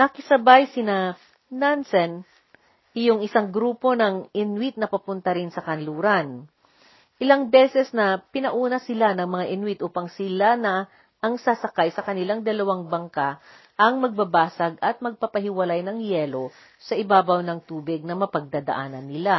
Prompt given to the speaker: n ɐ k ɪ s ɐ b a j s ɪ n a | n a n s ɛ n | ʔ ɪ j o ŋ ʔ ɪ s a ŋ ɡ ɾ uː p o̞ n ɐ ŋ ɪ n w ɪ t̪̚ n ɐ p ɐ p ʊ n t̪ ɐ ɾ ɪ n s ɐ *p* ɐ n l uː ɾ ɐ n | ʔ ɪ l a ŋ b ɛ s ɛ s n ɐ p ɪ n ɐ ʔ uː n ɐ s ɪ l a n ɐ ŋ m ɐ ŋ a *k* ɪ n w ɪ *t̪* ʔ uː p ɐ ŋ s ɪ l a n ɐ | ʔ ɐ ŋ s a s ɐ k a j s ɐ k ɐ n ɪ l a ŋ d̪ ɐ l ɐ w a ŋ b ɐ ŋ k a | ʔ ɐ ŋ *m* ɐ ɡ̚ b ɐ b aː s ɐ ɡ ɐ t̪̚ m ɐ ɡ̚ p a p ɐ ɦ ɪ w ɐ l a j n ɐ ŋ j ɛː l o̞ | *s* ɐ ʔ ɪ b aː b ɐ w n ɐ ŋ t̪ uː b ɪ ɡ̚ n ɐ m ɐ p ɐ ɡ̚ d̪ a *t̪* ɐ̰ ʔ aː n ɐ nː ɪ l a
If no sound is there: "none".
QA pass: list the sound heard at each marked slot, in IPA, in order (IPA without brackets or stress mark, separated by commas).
k, ʔ, t̪, m, s, d̪